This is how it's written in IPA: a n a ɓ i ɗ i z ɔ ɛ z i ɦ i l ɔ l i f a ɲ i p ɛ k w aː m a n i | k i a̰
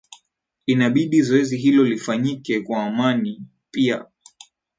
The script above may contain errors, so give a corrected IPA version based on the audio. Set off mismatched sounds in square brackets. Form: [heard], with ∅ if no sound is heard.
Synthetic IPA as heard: [i] n a ɓ i ɗ i z ɔ ɛ z i ɦ i l ɔ l i f a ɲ i [k] ɛ k w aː m a n i | [p] i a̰

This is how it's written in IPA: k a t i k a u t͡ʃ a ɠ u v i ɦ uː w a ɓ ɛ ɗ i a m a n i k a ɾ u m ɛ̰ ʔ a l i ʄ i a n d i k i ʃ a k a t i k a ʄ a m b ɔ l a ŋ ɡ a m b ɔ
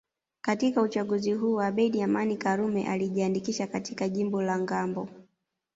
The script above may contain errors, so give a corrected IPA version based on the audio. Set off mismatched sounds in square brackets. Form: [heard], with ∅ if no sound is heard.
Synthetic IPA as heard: k a t i k a u t͡ʃ a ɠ u [z] i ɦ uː w a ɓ ɛ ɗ i a m a n i k a ɾ u m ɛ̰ ʔ a l i ʄ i a n d i k i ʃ a k a t i k a ʄ [i] m b ɔ l a ŋ ɡ a m b ɔ

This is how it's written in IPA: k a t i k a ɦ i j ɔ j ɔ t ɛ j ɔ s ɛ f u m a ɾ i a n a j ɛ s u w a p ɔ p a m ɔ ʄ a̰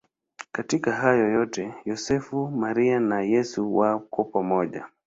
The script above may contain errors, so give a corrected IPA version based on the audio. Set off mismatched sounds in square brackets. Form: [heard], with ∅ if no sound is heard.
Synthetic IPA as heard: k a t i k a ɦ [a] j ɔ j ɔ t ɛ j ɔ s ɛ f u m a ɾ i a n a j ɛ s u w a [k] ɔ p a m ɔ ʄ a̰

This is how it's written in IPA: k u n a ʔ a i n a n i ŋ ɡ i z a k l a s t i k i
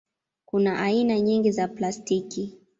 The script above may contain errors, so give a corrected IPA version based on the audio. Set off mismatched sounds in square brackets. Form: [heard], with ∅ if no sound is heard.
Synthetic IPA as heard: k u n a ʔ a i n a [ɲ] i ŋ ɡ i z a [p] l a s t i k i

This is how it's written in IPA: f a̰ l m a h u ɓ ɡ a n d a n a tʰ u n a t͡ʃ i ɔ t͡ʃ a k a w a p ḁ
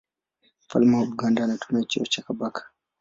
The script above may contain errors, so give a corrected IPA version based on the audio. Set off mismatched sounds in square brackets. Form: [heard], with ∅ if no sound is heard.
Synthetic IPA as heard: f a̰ l m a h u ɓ ɡ a n d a n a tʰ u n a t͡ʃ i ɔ t͡ʃ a k a [b] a [k] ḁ

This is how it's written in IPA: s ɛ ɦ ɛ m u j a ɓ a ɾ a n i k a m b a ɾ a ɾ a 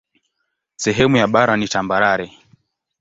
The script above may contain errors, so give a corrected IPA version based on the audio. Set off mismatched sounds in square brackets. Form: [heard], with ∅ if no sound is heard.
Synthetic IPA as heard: s ɛ ɦ ɛ m u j a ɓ a ɾ a n i [t] a m b a ɾ a ɾ [ɛ]

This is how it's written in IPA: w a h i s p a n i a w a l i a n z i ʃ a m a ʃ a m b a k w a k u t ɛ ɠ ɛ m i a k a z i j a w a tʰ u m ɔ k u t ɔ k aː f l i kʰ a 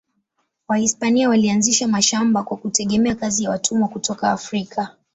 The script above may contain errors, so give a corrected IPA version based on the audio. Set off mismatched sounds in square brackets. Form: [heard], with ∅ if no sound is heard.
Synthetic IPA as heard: w a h i s p a n i a w a l i a n z i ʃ a m a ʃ a m b a k w a k u t ɛ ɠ ɛ m [ɛ] a k a z i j a w a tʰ u m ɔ k u t ɔ k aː f [ɾ] i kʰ a

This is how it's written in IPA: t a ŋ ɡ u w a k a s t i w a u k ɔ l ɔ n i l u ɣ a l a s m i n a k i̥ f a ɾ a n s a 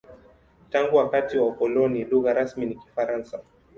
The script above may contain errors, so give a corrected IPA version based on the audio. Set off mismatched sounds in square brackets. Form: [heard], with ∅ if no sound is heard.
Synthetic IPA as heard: t a ŋ ɡ u w a k a [∅] t i w a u k ɔ l ɔ n i l u ɣ a [ɾ] a s m i n [i] k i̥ f a ɾ a n s a

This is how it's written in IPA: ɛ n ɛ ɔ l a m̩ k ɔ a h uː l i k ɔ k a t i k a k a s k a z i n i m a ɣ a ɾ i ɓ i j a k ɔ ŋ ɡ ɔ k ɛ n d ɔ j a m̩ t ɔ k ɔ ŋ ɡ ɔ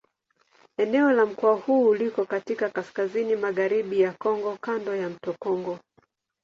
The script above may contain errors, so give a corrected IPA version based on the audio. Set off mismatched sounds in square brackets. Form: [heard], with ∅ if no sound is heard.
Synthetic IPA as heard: ɛ n ɛ ɔ l a m̩ k ɔ a h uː l i k ɔ k a t i k a k a s k a z i n i m a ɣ a ɾ i ɓ i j a k ɔ ŋ ɡ ɔ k [a] n d ɔ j a m̩ t ɔ k ɔ ŋ ɡ ɔ

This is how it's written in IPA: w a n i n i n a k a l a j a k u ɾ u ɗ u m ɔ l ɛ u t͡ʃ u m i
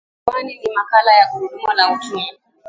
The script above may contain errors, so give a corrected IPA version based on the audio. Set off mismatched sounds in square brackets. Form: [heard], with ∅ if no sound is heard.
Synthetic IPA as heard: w a n i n i [m] a k a l a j a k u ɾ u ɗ u m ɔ l [a] u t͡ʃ u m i

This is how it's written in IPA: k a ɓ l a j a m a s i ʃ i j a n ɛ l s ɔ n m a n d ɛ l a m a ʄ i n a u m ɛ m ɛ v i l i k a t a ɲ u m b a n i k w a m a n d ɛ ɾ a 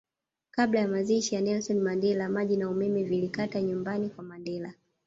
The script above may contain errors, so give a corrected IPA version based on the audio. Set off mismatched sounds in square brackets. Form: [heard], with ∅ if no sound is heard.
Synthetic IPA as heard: k a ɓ l a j a m a [z] i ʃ i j a n ɛ l s ɔ n m a n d ɛ l a m a ʄ i n a u m ɛ m ɛ v i l i k a t a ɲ u m b a n i k w a m a n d ɛ [l] a

